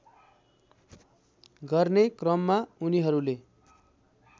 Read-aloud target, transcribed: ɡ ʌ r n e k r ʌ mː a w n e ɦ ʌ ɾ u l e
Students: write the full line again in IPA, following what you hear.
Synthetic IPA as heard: ɡ ʌ r n e k r ʌ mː a u n i ɦ ʌ ɾ u l e